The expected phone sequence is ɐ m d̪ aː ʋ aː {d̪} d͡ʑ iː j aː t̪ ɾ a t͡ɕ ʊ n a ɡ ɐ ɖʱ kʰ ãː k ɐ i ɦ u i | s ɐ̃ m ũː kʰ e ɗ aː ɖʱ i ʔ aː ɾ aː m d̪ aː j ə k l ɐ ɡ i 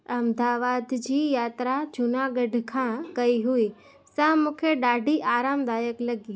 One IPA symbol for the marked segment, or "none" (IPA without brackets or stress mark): d̪